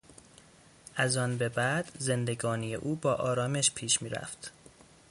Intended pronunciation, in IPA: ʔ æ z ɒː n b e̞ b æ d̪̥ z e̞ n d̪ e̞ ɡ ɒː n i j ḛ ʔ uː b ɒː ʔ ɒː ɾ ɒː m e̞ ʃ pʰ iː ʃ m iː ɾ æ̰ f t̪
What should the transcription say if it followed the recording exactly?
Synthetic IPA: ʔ æ z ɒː n b e̞ b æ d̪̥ z e̞ n d̪ e̞ ɡ ɒː n i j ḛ ʔ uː b ɒː ʔ ɒː ɾ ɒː m e̞ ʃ pʰ iː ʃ m iː ɾ æ̰ f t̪